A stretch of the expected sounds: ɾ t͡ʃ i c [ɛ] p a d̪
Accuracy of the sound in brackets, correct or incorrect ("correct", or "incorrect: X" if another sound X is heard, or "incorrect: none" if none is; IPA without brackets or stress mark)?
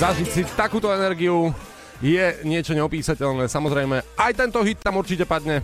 correct